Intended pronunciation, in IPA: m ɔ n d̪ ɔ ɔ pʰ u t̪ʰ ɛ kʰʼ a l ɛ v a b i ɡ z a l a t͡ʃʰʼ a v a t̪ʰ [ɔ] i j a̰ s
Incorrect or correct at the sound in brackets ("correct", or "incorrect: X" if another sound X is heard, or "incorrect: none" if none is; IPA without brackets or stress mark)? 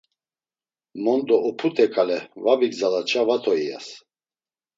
correct